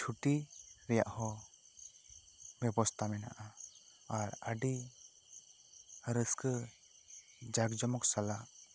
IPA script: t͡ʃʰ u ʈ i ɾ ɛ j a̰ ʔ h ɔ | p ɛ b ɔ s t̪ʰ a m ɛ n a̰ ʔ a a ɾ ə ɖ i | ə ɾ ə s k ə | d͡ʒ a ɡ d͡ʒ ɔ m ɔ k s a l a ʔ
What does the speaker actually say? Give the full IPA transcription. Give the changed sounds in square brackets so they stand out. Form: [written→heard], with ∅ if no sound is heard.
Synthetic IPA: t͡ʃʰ u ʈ i ɾ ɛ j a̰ ʔ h ɔ | [p→b] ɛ b ɔ s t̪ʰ a m ɛ n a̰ ʔ a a ɾ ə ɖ i | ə ɾ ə s k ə | d͡ʒ a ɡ d͡ʒ ɔ m ɔ k s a l a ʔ

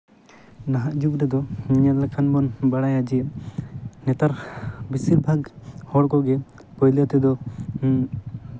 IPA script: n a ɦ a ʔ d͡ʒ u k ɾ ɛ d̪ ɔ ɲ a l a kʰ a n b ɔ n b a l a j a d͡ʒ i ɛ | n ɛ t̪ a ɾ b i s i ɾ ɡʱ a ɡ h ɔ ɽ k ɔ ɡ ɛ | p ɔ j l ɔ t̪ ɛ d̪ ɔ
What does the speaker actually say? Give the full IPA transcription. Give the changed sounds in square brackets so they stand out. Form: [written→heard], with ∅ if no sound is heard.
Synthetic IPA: n a ɦ a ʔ d͡ʒ u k ɾ ɛ d̪ ɔ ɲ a l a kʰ a n b ɔ n b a [l→ɽ] a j a d͡ʒ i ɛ | n ɛ t̪ a ɾ b i s i ɾ [ɡʱ→bʱ] a ɡ h ɔ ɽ k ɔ ɡ ɛ | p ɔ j l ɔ t̪ ɛ d̪ ɔ

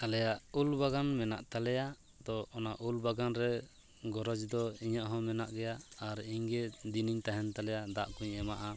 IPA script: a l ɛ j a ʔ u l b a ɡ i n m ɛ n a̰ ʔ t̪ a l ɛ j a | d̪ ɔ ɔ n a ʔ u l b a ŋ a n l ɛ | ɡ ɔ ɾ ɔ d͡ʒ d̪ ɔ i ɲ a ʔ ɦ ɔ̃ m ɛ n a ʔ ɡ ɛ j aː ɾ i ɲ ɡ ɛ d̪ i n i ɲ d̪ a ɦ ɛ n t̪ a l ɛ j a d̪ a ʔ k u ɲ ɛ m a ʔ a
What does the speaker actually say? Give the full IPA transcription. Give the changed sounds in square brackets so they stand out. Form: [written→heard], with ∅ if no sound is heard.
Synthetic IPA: a l ɛ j a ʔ u l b a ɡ [i→a] n m ɛ n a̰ ʔ t̪ a l ɛ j a | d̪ ɔ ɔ n a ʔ u l b a [ŋ→ɡ] a n [l→ɾ] ɛ | ɡ ɔ ɾ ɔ d͡ʒ d̪ ɔ i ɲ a ʔ ɦ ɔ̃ m ɛ n a ʔ ɡ ɛ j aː ɾ i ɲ ɡ ɛ d̪ i n i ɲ [d̪→t̪] a ɦ ɛ n t̪ a l ɛ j a d̪ a ʔ k u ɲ ɛ m a ʔ a

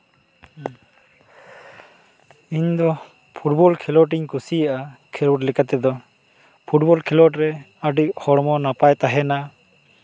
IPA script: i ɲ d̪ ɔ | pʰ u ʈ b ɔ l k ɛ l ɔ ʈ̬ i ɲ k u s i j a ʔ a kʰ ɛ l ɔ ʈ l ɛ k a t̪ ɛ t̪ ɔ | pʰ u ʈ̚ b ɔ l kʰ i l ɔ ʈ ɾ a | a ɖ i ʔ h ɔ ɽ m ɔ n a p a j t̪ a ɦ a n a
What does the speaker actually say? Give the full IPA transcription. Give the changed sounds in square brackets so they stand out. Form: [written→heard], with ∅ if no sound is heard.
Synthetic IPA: i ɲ d̪ ɔ | pʰ u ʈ b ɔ l [k→kʰ] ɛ l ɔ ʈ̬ i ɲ k u s i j a ʔ a kʰ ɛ l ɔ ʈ l ɛ k a t̪ ɛ [t̪→d̪] ɔ | pʰ u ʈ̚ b ɔ l kʰ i l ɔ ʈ ɾ [a→ɛ] | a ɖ i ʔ h ɔ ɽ m ɔ n a p a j t̪ a ɦ [a→ɛ] n a

